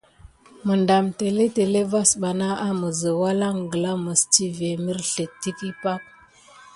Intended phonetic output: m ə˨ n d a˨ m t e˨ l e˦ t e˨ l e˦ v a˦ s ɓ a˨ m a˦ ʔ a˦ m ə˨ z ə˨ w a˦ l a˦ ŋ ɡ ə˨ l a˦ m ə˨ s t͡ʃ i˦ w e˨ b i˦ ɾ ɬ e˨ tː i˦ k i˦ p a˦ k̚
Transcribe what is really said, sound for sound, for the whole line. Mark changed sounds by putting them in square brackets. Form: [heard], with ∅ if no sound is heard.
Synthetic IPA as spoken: m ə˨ n d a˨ m t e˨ l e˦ t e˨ l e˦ v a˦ s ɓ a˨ [n] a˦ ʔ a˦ m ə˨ z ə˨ w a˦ l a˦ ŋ ɡ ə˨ l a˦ m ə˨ s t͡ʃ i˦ [v] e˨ [m] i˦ ɾ ɬ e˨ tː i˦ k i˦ p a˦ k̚